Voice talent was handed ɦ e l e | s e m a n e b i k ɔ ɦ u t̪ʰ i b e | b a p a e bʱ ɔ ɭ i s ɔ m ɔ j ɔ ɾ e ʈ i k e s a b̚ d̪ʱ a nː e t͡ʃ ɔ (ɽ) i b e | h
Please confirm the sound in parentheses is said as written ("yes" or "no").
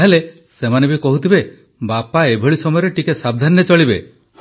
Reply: no